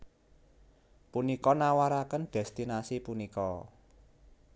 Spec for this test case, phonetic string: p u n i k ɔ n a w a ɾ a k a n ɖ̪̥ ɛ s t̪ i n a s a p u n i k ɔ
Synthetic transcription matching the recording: p u n i k ɔ n a w a ɾ a k ə n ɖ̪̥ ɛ s t̪ i n a s i p u n i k ɔ